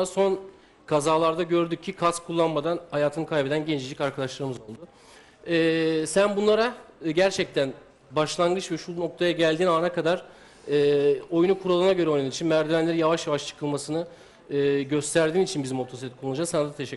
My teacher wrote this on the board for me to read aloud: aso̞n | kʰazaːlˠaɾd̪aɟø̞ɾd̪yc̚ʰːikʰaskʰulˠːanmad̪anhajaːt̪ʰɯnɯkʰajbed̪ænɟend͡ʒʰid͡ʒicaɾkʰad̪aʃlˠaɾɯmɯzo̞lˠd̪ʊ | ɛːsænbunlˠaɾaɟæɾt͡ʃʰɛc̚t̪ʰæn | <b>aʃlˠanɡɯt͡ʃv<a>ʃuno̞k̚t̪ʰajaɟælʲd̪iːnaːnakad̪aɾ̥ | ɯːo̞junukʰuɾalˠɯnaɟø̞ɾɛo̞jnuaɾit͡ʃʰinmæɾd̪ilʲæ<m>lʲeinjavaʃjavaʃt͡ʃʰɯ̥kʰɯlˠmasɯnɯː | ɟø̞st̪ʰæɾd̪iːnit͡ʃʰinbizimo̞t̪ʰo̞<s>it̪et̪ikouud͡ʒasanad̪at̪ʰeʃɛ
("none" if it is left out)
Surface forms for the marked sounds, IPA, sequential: b, ɛ, n, s

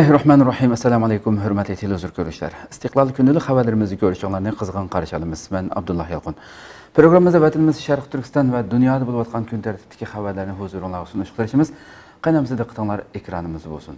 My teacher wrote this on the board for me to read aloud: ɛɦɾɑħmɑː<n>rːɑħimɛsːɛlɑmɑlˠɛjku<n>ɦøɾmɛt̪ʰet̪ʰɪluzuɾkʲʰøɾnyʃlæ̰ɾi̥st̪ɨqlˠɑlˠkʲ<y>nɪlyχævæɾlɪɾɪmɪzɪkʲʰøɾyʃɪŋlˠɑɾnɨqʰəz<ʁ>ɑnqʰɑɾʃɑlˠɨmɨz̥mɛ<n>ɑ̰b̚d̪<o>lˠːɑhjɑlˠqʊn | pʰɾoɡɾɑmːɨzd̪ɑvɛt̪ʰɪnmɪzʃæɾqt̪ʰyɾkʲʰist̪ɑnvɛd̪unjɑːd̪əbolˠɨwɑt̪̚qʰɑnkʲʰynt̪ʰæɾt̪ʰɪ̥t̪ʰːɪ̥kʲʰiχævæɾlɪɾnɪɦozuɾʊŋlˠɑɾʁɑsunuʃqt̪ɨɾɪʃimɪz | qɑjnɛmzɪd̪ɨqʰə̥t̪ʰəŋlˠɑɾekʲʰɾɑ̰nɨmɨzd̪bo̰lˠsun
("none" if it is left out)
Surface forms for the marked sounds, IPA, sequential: n, m, y, ʁ, n, u

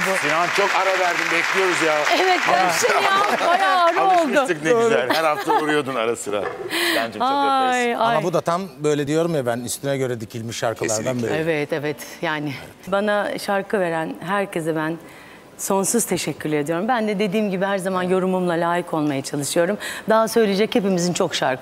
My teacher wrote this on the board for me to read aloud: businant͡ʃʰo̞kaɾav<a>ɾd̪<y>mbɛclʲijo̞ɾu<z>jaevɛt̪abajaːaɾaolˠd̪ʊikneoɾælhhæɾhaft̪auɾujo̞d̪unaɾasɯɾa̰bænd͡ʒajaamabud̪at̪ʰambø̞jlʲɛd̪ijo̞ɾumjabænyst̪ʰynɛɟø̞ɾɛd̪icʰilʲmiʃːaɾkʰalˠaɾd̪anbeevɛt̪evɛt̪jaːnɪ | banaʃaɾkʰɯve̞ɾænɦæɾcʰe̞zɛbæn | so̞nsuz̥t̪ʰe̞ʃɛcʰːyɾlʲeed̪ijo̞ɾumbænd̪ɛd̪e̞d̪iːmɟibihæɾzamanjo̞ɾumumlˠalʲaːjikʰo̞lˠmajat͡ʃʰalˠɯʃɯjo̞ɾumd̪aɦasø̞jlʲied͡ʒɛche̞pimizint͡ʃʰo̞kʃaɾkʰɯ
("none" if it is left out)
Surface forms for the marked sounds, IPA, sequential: æ, i, z

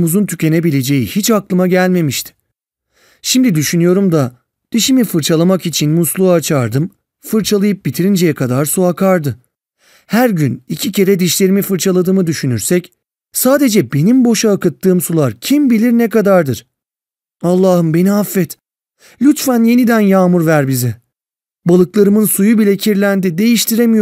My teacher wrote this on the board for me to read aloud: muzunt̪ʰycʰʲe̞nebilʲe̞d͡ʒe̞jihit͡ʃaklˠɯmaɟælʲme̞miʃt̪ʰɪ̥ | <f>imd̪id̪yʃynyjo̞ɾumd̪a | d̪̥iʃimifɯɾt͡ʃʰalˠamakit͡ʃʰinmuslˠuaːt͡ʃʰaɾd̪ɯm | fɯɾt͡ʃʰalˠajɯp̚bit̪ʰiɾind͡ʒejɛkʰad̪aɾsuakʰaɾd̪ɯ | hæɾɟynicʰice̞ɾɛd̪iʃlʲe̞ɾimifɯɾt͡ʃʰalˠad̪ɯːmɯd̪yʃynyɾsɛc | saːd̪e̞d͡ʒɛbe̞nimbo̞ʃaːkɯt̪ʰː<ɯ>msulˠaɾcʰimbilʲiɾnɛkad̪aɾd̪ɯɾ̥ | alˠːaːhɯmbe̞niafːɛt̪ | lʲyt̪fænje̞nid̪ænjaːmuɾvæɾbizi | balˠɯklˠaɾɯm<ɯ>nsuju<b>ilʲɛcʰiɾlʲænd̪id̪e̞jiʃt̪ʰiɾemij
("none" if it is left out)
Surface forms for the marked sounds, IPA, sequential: ʃ, ɯː, ɯ, b

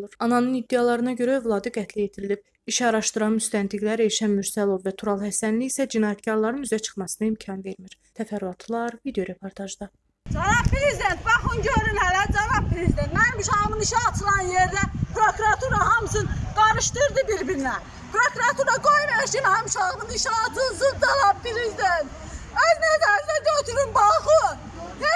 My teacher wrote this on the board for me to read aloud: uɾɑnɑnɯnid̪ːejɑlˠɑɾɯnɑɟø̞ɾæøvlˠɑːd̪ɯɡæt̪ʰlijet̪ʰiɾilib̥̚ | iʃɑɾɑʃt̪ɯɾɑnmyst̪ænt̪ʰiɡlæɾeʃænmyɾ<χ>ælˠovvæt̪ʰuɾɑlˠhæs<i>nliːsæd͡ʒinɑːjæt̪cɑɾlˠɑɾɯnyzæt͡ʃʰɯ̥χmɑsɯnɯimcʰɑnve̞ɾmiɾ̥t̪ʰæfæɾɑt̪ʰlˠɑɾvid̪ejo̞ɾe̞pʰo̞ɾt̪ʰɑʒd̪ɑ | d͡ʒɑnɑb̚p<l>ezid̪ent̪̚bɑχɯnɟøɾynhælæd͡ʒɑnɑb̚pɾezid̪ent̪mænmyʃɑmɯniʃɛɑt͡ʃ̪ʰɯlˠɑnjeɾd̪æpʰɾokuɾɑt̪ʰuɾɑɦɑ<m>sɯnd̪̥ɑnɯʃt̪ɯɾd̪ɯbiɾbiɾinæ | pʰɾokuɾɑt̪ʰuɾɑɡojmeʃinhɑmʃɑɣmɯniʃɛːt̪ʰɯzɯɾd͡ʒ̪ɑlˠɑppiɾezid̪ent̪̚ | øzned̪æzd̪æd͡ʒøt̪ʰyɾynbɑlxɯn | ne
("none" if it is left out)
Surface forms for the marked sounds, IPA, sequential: s, æ, ɾ, m

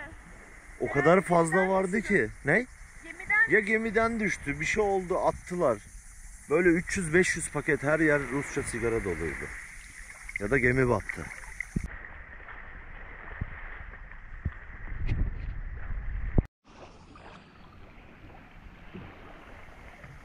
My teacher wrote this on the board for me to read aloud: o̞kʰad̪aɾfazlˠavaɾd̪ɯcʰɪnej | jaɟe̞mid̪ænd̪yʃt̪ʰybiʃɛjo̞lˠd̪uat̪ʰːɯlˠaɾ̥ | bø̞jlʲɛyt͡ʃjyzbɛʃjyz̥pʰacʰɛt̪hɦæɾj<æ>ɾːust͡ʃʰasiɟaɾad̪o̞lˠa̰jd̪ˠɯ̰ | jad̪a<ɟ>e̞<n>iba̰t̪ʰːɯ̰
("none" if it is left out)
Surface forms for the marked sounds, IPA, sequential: æ, ɟ, m

